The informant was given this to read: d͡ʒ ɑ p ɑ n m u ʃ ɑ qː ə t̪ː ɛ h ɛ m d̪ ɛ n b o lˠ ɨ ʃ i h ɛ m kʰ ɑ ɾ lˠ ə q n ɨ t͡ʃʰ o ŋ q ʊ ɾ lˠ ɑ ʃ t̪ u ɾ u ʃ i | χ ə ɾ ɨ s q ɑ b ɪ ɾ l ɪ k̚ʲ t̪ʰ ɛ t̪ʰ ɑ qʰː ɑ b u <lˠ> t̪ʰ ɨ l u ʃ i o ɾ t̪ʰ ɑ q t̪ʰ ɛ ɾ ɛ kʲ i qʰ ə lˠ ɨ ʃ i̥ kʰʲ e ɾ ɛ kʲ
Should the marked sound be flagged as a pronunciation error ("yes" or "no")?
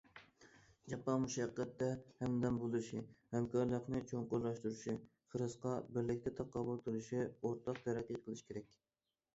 no